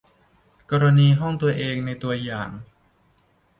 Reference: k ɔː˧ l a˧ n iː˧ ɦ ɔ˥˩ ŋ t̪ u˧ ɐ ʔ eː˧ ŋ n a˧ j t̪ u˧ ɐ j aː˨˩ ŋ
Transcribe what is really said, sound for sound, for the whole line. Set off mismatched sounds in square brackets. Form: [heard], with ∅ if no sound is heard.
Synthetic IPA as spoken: k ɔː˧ [ɾ] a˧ n iː˧ ɦ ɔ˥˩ ŋ t̪ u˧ ɐ ʔ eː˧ ŋ n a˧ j t̪ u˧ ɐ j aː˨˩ ŋ